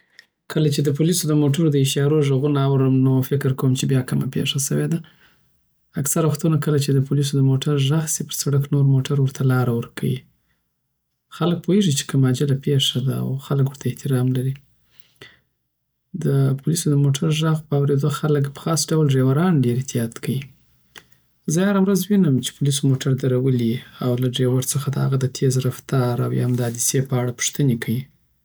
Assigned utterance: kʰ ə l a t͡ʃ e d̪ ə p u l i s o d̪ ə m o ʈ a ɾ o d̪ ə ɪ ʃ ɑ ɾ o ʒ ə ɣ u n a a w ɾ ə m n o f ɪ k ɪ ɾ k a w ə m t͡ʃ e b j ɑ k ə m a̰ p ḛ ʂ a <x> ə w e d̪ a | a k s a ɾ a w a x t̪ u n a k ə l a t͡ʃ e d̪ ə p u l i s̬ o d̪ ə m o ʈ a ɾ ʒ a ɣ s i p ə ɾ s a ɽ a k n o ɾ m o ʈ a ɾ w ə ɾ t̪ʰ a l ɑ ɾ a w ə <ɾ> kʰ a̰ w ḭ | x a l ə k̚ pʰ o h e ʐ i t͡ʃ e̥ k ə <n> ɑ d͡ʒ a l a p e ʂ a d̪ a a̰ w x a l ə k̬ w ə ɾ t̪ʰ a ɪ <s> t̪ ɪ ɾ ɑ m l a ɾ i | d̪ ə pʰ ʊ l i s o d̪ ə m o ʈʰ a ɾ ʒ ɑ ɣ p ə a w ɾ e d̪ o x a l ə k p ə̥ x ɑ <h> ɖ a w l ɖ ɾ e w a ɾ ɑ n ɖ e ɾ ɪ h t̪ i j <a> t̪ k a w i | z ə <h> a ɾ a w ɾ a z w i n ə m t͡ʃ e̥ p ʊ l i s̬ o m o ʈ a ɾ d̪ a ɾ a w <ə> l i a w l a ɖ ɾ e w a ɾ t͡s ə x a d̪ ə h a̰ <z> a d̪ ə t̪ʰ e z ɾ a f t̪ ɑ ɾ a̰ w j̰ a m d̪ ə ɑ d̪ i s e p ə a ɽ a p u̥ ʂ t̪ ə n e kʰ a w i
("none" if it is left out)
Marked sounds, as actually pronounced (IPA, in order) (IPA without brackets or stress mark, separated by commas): s, ɾ, m, h, s, ɑ, h, ə, ɣ